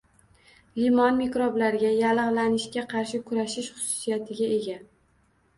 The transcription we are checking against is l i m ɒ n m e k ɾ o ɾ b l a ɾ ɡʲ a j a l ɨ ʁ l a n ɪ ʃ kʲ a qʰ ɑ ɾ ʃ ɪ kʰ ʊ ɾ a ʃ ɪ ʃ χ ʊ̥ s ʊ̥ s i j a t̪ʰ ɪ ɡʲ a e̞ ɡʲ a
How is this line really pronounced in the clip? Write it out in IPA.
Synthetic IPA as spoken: l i m ɒ n m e k ɾ o b l a ɾ ɡʲ a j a l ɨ ʁ l a n ɪ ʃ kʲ a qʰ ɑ ɾ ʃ ɪ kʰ ʊ ɾ a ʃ ɪ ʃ χ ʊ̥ s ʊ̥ s i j a t̪ʰ ɪ ɡʲ a e̞ ɡʲ a